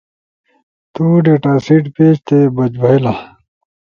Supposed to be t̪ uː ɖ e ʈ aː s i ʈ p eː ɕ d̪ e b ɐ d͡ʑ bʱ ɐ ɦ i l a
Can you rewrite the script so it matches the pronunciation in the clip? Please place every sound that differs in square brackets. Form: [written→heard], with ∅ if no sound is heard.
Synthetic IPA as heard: t̪ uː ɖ e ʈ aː s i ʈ p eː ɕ [d̪→t̪] e b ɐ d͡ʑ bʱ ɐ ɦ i l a